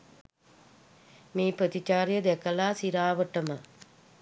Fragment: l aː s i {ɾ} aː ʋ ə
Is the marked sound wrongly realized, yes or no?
no